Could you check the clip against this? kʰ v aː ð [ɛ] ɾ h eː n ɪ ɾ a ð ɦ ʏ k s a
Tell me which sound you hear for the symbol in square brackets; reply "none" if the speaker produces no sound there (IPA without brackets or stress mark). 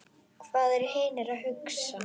ɛ